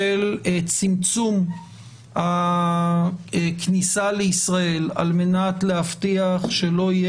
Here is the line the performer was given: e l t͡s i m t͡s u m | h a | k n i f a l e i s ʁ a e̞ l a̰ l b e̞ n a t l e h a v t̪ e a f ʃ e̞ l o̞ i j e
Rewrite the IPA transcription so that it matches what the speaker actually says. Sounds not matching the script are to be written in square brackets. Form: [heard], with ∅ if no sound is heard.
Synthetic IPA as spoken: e l t͡s i m t͡s u m | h a | k n i [s] a l e i s ʁ a e̞ l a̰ l [m] e̞ n a t l e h a [f] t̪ [i] a [χ] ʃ e̞ l o̞ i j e